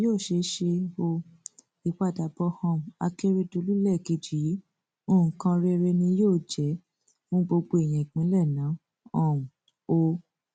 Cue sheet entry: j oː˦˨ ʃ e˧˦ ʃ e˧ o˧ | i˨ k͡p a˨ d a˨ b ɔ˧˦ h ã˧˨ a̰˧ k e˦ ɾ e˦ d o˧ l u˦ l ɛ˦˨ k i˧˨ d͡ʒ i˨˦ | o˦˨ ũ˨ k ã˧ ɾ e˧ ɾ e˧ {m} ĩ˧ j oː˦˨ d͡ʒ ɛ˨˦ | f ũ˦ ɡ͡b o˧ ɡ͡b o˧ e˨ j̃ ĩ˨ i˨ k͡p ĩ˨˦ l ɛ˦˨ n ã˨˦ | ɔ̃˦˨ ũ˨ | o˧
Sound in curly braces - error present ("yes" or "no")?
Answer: yes